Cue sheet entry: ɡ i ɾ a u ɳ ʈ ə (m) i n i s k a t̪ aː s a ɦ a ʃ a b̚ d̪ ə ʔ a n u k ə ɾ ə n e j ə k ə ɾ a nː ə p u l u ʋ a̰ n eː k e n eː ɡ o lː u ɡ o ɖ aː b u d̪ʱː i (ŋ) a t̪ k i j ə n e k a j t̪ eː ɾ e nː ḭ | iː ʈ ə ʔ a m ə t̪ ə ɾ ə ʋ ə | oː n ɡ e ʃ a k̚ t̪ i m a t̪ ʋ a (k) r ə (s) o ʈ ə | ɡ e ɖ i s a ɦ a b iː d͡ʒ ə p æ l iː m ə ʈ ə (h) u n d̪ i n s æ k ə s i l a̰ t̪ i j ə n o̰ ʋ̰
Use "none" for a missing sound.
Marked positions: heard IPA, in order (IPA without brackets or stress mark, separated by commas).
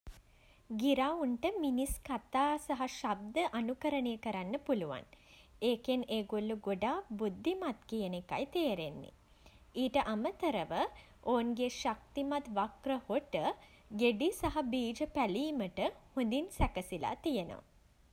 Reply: m, m, k, h, h